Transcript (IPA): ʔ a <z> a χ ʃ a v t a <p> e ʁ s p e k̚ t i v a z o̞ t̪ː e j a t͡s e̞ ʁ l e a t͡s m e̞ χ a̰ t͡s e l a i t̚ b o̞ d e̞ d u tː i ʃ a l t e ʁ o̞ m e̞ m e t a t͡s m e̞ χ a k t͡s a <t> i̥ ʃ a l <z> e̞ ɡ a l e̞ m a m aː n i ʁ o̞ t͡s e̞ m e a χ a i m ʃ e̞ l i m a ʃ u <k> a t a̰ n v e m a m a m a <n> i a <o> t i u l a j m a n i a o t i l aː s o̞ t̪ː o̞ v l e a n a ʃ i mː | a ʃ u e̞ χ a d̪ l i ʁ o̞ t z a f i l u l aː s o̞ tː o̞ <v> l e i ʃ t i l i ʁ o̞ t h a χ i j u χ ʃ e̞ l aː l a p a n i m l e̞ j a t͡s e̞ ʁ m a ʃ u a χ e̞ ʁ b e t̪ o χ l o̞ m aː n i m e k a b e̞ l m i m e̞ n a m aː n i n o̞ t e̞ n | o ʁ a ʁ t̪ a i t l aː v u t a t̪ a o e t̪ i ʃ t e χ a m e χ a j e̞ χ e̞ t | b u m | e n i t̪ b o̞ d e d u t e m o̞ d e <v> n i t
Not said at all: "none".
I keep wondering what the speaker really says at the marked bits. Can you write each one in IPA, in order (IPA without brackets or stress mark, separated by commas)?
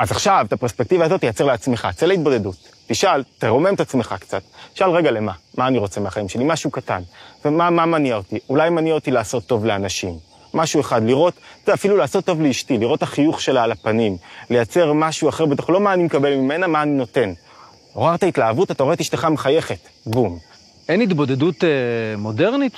z, p, t, ʁ, k, n, o, v, ʁ